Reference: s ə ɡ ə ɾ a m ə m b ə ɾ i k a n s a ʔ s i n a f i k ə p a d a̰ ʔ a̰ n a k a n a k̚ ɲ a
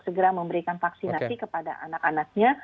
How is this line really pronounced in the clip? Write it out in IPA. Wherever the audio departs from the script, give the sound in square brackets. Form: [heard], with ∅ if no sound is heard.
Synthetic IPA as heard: s ə ɡ ə ɾ a m ə m b ə ɾ i k a n [f] a [k] s i n a [s] i k ə p a d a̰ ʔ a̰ n a k a n a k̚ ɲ a

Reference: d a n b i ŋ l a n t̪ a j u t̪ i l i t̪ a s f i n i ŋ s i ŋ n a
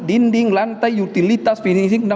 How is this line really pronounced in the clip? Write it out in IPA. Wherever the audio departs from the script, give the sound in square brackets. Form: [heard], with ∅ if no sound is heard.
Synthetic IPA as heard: d [i] n [d] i ŋ l a n t̪ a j u t̪ i l i t̪ a s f i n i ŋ s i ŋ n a

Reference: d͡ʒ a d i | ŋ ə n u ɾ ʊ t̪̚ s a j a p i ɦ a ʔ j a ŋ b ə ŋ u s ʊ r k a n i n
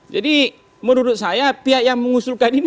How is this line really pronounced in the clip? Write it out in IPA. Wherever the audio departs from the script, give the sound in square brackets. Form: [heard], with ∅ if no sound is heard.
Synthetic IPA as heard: d͡ʒ a d i | [m] ə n u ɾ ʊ t̪̚ s a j a p i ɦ a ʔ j a ŋ [m] ə ŋ u s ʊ [l] k a n i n

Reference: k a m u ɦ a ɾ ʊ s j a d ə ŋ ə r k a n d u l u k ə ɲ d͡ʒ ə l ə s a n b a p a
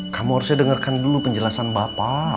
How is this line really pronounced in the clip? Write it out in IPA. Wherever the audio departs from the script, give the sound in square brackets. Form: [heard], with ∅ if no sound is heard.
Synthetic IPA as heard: k a m u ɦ a ɾ [u] s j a d ə ŋ ə r k a n d u l u [p] ə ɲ d͡ʒ ə l [a] s a n b a p a

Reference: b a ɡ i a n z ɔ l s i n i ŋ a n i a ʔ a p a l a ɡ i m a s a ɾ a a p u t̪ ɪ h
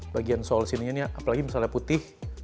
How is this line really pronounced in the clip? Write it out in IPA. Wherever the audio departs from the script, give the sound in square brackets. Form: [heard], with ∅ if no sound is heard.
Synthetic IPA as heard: b a ɡ i a n [s] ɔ l s i n i [ɲ] a n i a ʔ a p a l a ɡ i m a s a [l] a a p u t̪ ɪ h

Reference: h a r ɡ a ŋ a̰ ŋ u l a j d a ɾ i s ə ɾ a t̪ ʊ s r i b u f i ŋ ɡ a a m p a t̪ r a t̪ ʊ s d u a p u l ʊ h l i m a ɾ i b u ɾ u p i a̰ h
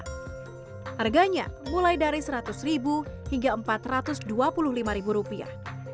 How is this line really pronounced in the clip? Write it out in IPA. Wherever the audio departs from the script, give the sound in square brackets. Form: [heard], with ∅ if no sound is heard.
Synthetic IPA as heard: h a r ɡ a [ɲ] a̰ [m] u l a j d a ɾ i s ə ɾ a t̪ ʊ s r i b u [h] i ŋ ɡ a [ə] m p a t̪ r a t̪ ʊ s d u a p u l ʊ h l i m a ɾ i b u ɾ u p i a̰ h

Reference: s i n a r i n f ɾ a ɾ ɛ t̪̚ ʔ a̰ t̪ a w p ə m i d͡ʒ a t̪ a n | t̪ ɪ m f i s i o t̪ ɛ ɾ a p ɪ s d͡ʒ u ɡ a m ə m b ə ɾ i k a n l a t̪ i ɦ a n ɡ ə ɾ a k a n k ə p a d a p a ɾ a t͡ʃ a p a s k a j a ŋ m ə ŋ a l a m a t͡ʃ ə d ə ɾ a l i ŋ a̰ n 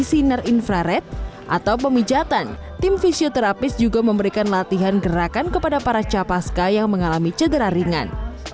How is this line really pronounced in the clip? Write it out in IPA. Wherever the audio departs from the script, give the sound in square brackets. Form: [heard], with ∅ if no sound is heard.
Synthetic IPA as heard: s i n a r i n f ɾ a ɾ ɛ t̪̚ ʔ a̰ t̪ a w p ə m i d͡ʒ a t̪ a n | t̪ ɪ m f i s i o t̪ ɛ ɾ a p ɪ s d͡ʒ u ɡ a m ə m b ə ɾ i k a n l a t̪ i ɦ a n ɡ ə ɾ a k a n k ə p a d a p a ɾ a t͡ʃ a p a s k a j a ŋ m ə ŋ a l a m [i] t͡ʃ ə d ə ɾ a [ɾ] i ŋ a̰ n

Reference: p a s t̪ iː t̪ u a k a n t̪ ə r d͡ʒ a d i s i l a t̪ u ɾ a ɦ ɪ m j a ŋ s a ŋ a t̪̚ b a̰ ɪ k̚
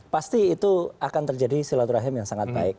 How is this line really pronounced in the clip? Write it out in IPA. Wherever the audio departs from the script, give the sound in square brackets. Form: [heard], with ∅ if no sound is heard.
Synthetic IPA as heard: p a s t̪ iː t̪ u a k a n t̪ ə r d͡ʒ a d i s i l a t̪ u ɾ a ɦ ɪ m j a ŋ s a ŋ a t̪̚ b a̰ ɪ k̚

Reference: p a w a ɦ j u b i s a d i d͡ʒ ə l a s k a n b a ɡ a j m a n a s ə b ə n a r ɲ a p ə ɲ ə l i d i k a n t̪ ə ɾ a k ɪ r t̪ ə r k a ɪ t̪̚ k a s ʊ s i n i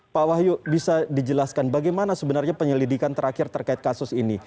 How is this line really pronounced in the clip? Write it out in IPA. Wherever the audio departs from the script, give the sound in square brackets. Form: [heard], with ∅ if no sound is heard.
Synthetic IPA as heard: p a w a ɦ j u b i s a d i d͡ʒ ə l a s k a n b a ɡ a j m a n a s ə b ə n a r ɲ a p ə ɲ ə l i d i k a n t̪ ə ɾ a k ɪ r t̪ ə r k a ɪ t̪̚ k a s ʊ s i n i

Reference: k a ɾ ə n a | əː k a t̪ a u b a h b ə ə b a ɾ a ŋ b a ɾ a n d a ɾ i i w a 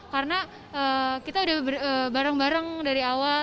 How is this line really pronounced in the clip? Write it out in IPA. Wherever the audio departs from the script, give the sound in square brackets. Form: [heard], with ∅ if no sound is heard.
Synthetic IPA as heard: k a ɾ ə n a | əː k [i] t̪ a u [d] a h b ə ə b a ɾ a ŋ b a ɾ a [ŋ] d a ɾ i [a] w a

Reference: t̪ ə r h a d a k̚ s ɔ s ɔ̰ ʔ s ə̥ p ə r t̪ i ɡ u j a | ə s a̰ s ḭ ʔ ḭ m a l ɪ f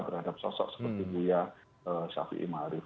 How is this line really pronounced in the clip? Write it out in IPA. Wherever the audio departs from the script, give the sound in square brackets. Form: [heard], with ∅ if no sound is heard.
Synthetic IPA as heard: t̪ ə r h a d a [p̚] s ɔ s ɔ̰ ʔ s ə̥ p ə r t̪ i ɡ u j a | ə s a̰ [f] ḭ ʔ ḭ m a [ɾ] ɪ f

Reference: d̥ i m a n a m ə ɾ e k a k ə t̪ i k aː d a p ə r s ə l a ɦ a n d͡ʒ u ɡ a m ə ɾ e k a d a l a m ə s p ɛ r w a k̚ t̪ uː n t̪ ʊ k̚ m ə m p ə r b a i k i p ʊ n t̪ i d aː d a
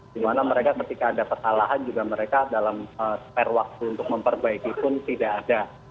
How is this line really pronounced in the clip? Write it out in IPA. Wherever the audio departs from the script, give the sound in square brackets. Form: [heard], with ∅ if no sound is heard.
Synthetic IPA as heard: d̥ i m a n a m ə ɾ e k a k ə t̪ i k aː d a p ə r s [a] l a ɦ a n d͡ʒ u ɡ a m ə ɾ e k a d a l a m ə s p ɛ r w a k̚ t̪ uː n t̪ ʊ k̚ m ə m p ə r b a i k i p ʊ n t̪ i d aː d a

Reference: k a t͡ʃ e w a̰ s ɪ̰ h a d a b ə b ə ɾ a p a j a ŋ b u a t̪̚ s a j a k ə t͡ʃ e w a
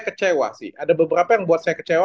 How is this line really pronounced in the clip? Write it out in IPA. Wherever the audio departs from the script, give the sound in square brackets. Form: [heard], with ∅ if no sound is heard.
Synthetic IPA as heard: k [ə] t͡ʃ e w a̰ s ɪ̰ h a d a b ə b ə ɾ a p a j a ŋ b u a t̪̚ s a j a k ə t͡ʃ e w a

